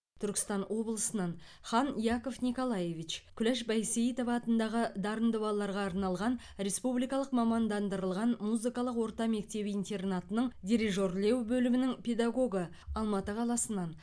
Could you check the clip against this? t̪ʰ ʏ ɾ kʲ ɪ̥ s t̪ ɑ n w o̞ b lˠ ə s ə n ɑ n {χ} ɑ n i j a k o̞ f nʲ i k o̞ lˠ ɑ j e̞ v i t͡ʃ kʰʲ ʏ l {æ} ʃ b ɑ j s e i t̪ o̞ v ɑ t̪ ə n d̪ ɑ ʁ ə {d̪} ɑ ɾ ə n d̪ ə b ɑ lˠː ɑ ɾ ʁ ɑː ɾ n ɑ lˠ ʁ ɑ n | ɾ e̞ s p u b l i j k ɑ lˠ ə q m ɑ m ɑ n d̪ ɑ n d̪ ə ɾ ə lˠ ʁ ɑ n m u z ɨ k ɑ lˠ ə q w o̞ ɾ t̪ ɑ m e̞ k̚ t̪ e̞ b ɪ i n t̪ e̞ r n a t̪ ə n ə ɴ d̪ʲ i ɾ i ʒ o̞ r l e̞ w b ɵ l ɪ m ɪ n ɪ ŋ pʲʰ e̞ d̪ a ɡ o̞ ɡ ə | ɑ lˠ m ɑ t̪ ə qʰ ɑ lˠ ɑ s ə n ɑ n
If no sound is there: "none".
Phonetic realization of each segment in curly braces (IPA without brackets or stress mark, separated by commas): χ, æ, d̪